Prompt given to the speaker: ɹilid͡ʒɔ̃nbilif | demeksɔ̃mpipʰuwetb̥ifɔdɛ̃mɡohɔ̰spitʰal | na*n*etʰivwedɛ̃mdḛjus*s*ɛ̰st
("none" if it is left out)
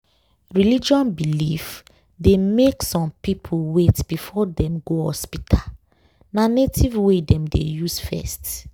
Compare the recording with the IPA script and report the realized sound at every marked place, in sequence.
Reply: n, f

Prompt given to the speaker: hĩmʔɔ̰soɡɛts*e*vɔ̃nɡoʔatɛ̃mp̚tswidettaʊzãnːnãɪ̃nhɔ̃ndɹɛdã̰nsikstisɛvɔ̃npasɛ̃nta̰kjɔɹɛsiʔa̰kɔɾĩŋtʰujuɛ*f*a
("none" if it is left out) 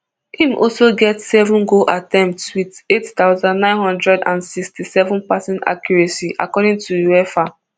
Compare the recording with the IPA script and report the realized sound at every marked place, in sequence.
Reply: ɛ, f

